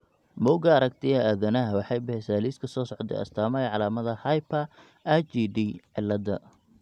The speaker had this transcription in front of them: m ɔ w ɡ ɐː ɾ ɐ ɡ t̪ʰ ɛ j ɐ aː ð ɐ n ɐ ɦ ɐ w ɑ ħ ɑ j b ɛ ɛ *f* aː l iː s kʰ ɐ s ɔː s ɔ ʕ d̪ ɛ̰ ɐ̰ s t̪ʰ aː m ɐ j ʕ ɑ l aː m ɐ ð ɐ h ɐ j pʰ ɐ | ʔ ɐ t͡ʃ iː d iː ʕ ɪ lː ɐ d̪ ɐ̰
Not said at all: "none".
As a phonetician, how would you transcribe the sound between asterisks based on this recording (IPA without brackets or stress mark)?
s